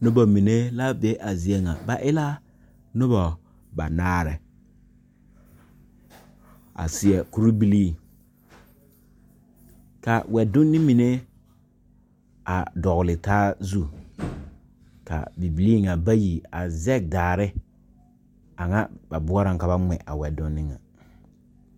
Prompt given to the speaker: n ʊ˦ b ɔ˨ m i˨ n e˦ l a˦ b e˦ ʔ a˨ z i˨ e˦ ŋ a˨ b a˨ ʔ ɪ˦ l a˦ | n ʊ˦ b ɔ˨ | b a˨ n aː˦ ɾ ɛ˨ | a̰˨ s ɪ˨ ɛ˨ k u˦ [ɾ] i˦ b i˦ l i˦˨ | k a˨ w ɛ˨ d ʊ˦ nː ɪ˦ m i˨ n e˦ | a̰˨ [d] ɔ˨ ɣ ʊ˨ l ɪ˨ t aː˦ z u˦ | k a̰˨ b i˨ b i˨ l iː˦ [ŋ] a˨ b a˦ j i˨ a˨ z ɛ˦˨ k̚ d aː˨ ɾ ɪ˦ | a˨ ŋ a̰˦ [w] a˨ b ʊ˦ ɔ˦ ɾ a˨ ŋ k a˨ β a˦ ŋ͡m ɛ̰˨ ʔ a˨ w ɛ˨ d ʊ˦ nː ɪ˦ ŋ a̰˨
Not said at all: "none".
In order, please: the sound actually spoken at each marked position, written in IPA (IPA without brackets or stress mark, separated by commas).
ɾ, d, ŋ, b